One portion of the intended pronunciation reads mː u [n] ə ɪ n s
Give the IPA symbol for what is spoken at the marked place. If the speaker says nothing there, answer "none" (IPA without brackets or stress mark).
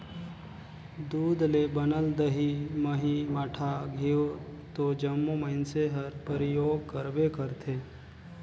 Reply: m